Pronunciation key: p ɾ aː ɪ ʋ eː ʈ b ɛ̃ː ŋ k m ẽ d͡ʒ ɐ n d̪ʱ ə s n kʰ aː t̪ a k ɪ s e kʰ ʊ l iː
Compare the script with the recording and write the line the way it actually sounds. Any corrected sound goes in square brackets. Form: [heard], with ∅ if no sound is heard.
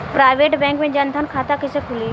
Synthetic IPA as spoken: p ɾ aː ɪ ʋ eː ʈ b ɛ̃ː ŋ k m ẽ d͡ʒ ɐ n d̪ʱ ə [∅] n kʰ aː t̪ a k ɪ s e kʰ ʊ l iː